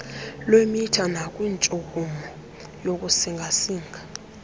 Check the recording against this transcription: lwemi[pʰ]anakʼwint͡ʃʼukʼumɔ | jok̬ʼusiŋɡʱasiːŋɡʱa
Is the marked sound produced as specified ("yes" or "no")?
no